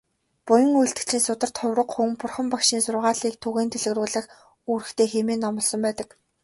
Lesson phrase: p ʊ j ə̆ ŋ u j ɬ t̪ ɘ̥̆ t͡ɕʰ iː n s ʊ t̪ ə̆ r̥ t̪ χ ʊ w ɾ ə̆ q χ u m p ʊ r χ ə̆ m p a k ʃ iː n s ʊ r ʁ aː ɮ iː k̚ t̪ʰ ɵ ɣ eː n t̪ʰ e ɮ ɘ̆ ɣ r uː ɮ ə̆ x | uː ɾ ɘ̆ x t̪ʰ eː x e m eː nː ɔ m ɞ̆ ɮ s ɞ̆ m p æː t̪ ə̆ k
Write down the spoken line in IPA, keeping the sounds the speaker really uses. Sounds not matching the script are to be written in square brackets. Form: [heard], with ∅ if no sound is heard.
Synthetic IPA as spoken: p ʊ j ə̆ ŋ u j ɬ t̪ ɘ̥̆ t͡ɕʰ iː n s ʊ t̪ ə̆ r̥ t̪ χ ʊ w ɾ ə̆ q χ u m p ʊ r χ ə̆ m p a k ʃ iː n s ʊ r ʁ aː ɮ iː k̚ t̪ʰ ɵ ɣ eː n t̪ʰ e ɮ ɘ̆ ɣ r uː ɮ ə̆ x | uː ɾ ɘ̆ x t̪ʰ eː x e m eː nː ɔ m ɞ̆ ɮ s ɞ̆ m p æː t̪ ə̆ k